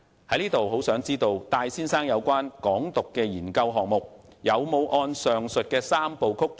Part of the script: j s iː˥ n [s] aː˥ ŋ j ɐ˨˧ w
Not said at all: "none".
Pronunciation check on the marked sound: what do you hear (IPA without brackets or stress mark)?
s